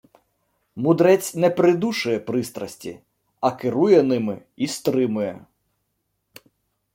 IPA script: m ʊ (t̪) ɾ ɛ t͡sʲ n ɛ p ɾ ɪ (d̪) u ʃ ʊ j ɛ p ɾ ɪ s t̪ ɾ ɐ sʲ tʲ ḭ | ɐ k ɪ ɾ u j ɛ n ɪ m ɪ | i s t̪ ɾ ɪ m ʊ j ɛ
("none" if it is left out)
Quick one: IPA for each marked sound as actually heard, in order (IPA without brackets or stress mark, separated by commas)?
d̪, d̪